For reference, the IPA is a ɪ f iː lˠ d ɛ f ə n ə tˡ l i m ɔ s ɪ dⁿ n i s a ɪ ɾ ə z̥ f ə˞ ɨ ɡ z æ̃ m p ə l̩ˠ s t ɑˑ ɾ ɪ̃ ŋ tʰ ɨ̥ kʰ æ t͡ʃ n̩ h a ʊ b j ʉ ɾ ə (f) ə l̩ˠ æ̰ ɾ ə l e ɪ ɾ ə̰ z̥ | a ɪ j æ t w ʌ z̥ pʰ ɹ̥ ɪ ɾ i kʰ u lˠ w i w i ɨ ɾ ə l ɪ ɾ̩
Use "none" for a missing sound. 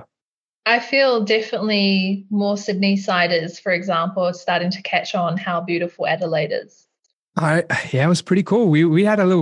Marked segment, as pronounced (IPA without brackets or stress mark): f